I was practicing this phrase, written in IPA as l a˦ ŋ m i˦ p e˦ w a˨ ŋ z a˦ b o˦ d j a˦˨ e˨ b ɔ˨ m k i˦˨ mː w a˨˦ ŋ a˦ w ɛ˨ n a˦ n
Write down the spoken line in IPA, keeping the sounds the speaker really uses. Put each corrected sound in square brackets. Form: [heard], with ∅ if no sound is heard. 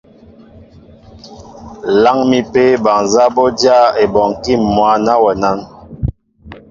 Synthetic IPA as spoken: l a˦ ŋ m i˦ p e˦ [b] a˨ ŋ z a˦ b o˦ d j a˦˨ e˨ b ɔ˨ [ŋ] k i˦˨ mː w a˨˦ [n] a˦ w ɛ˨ n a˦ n